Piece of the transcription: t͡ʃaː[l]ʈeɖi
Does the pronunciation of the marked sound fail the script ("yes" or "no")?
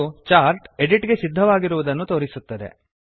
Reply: yes